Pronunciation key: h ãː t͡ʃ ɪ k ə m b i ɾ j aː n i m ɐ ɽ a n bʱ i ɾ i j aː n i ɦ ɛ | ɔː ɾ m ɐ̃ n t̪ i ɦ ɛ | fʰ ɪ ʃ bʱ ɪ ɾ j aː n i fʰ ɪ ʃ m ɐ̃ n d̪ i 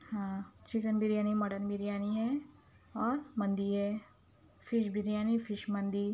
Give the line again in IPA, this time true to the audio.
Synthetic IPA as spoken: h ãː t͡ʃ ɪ k ə n b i ɾ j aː n i m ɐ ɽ ə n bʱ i ɾ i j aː n i ɦ ɛ | ɔː ɾ m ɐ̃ n d̪ i ɦ ɛ | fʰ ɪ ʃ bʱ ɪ ɾ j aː n i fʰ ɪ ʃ m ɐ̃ n d̪ i